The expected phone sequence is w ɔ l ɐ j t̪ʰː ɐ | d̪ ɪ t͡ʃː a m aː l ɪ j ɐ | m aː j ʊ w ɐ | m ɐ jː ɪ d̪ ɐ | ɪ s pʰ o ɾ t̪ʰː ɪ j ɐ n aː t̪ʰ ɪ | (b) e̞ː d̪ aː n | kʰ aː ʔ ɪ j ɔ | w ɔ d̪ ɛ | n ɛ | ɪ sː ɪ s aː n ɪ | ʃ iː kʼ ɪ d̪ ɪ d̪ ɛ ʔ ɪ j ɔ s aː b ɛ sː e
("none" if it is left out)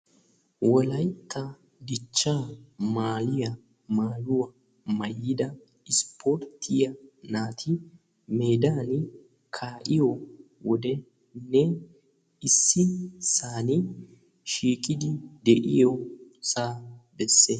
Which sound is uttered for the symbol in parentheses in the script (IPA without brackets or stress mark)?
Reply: m